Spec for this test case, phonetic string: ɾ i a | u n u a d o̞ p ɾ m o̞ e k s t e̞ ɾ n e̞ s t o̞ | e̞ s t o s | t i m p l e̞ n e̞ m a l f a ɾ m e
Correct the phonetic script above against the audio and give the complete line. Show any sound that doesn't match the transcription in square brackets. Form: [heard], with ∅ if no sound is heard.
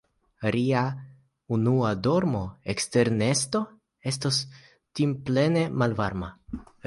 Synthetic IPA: ɾ i a | u n u a d o̞ [∅] ɾ m o̞ e k s t e̞ ɾ n e̞ s t o̞ | e̞ s t o s | t i m p l e̞ n e̞ m a l [v] a ɾ m [a]

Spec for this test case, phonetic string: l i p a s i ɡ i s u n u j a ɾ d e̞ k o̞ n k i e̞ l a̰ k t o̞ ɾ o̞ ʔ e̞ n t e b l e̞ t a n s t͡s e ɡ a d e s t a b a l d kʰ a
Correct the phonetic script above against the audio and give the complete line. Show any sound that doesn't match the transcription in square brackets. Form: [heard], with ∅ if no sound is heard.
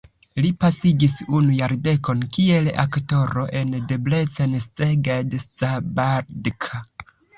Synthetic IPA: l i p a s i ɡ i s u n u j a ɾ d e̞ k o̞ n k i e̞ l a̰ k t o̞ ɾ o̞ ʔ e̞ n [d] e b l e̞ [t͡s] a n s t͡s e ɡ a d e s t a b a [ɾ] d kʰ a

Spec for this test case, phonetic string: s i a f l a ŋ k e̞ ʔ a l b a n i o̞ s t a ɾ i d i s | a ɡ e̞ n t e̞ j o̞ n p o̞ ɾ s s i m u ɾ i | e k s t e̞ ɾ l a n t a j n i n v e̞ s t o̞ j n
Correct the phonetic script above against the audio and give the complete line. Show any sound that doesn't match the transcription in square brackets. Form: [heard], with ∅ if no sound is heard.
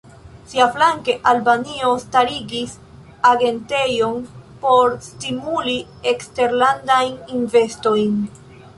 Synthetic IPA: s i a f l a ŋ k e̞ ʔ a l b a n i o̞ s t a ɾ i [ɡ] i s | a ɡ e̞ n t e̞ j o̞ n p o̞ ɾ s [t] i m u [l] i | e k s t e̞ ɾ l a n [d] a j n i n v e̞ s t o̞ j n

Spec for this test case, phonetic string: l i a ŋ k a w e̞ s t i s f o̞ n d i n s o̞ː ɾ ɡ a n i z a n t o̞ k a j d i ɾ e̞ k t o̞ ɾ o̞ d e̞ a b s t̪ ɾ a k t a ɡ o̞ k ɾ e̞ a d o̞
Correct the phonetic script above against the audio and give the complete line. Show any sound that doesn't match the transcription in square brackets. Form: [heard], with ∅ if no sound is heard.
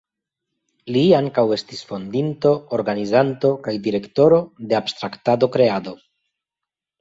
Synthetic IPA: l i a ŋ k a w e̞ s t i s f o̞ n d i n [t] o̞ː ɾ ɡ a n i z a n t o̞ k a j d i ɾ e̞ k t o̞ ɾ o̞ d e̞ a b s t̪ ɾ a k t a [d] o̞ k ɾ e̞ a d o̞

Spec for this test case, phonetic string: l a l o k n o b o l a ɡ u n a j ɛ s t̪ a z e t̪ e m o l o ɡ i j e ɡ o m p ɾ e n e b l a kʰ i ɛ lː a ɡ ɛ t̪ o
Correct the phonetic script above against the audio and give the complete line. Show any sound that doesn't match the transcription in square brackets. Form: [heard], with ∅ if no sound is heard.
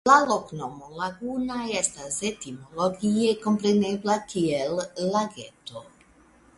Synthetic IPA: l a l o k n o [m] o l a ɡ u n a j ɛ s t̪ a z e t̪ [i] m o l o ɡ i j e [k] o m p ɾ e n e b l a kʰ i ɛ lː a ɡ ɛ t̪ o

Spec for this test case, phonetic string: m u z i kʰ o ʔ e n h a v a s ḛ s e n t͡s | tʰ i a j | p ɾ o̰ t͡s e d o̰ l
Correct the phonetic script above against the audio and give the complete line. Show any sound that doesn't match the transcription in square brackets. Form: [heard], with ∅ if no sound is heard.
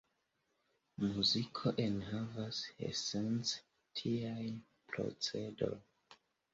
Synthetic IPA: m u z i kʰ o ʔ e n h a v a s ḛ s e n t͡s | tʰ i a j | p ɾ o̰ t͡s e d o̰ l

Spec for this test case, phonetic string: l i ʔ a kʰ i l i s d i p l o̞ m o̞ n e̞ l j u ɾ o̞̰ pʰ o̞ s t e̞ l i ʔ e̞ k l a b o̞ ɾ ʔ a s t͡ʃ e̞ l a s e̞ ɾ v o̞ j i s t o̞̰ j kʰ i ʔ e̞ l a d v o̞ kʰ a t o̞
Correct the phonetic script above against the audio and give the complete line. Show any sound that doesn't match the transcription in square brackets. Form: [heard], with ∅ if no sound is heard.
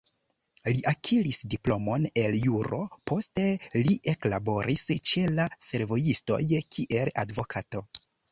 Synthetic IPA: l i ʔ a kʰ i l i s d i p l o̞ m o̞ n e̞ l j u ɾ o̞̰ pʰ o̞ s t e̞ l i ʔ e̞ k l a b o̞ ɾ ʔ [i] s t͡ʃ e̞ l a s e̞ ɾ v o̞ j i s t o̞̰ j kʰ i ʔ e̞ l a d v o̞ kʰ a t o̞

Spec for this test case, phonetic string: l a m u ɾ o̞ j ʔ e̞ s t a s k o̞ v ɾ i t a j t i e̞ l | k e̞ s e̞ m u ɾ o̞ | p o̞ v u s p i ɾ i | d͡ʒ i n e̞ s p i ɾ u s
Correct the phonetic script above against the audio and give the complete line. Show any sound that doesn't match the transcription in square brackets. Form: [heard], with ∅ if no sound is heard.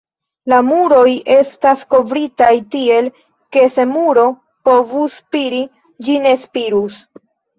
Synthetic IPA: l a m u ɾ o̞ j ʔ e̞ s t a s k o̞ v ɾ i t a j t i e̞ l | k e̞ s e̞ m u ɾ o̞ | p o̞ v u s p i ɾ i | d͡ʒ i n e̞ s p i ɾ u s

